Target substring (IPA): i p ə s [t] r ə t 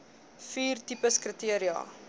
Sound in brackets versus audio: incorrect: k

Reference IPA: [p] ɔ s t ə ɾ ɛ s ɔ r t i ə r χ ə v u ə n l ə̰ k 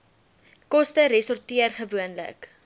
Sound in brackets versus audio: incorrect: k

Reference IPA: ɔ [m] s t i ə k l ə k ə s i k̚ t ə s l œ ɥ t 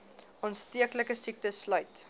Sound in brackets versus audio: incorrect: n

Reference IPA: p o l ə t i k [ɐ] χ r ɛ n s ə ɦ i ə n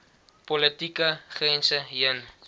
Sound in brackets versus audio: incorrect: ə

